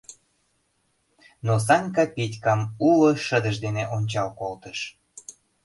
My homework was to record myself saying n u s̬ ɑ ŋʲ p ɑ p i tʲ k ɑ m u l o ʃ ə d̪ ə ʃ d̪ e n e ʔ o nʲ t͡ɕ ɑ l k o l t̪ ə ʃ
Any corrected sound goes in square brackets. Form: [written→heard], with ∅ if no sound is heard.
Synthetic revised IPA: n [u→o] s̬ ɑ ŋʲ [p→k] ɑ p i tʲ k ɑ m u l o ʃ ə d̪ ə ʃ d̪ e n e ʔ o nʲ t͡ɕ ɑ l k o l t̪ ə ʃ